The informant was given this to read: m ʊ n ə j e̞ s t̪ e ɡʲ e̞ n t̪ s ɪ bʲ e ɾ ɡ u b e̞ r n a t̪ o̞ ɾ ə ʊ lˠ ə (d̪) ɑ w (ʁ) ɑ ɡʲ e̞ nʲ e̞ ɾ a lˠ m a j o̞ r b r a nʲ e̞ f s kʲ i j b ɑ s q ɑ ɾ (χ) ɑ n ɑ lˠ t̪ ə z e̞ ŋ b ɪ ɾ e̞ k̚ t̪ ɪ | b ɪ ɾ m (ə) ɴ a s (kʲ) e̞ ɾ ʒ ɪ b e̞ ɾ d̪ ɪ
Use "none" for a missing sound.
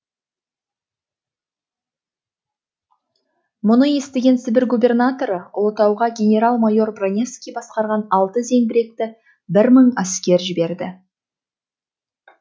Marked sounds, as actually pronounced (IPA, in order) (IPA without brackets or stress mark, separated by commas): t̪, ʁ, ʁ, ə, kʲ